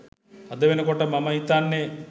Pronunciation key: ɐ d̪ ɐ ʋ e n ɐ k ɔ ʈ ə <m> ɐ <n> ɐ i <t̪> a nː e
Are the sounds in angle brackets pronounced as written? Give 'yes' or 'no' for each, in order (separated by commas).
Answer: yes, no, yes